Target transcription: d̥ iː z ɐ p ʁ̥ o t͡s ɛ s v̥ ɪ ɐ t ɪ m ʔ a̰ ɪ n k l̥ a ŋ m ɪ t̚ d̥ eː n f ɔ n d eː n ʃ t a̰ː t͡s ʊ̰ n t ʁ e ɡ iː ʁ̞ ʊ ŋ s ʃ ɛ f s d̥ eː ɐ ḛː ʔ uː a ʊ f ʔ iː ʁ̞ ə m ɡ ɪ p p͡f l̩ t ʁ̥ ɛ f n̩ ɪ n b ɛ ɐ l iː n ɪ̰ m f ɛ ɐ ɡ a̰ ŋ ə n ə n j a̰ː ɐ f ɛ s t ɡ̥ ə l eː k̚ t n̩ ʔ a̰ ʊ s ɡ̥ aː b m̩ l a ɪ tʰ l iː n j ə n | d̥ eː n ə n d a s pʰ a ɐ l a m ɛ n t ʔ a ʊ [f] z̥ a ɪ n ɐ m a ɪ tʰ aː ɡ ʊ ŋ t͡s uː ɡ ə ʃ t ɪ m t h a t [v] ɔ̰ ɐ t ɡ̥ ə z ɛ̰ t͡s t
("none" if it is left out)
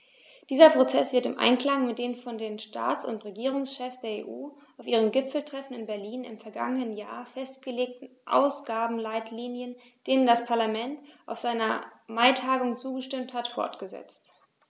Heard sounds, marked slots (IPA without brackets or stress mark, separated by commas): f, f